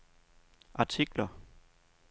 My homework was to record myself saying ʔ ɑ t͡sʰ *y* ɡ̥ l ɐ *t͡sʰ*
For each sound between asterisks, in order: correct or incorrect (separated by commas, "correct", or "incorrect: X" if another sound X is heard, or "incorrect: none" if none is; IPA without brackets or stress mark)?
incorrect: i, incorrect: none